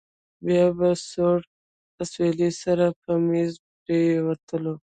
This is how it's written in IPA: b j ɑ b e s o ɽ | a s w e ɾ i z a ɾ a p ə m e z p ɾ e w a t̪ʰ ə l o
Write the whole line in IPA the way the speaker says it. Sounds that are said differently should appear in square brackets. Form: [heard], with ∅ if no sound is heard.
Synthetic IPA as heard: b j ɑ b [a] s o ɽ | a s w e [l] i [s] a ɾ a p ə m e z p ɾ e w a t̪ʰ ə l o